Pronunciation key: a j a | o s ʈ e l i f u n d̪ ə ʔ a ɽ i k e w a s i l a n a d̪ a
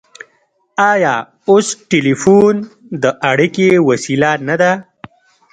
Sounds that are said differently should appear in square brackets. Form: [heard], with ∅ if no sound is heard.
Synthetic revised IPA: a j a | o s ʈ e l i f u n d̪ ə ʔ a ɽ i k e w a s i l a n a d̪ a